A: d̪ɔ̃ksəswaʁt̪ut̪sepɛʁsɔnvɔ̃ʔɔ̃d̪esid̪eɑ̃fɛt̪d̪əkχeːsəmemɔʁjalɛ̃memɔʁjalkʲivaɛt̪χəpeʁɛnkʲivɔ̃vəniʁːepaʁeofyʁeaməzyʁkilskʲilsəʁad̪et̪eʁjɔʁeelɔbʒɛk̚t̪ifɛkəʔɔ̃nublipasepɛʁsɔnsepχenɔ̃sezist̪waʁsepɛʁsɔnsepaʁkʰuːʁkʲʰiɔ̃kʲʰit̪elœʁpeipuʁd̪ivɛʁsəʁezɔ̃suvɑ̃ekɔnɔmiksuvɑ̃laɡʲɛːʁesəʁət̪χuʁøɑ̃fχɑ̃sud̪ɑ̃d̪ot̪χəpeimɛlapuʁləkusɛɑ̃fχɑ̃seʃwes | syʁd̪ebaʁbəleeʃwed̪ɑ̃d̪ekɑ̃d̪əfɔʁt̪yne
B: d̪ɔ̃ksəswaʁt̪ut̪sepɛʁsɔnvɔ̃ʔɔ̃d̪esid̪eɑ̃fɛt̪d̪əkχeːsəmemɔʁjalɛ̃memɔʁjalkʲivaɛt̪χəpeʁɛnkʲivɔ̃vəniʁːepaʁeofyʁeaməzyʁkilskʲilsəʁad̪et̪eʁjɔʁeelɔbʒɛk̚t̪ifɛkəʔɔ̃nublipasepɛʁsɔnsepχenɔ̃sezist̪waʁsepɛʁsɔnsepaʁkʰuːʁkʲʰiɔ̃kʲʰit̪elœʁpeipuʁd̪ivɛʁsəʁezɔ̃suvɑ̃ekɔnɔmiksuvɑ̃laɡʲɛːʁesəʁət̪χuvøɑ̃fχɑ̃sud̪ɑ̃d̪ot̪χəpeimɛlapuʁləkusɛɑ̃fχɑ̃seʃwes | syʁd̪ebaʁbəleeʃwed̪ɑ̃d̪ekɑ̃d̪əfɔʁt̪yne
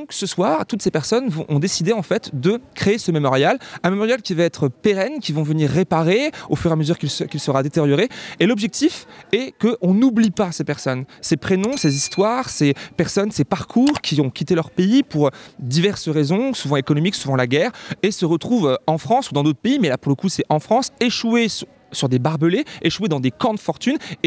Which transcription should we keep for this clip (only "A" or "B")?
B